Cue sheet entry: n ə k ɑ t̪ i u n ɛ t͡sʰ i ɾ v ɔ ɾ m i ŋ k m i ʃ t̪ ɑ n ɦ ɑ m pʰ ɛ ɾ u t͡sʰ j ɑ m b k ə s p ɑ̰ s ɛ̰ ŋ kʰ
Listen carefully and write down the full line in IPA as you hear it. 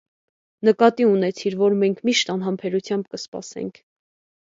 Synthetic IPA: n ə k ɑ t̪ i u n ɛ t͡sʰ i ɾ v ɔ ɾ m ɛ ŋ kʰ m i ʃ t̪ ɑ n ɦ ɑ m pʰ ɛ ɾ u t͡sʰ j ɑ m b k ə s p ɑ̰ s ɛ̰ ŋ kʰ